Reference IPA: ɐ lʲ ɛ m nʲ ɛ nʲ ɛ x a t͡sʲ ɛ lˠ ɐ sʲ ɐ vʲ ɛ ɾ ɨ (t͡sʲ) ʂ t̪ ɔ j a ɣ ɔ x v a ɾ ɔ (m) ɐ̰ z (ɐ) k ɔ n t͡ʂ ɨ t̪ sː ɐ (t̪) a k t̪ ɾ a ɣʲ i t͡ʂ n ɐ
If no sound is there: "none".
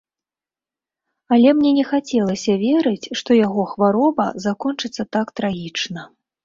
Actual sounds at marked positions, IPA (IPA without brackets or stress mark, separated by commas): t͡sʲ, b, a, t̪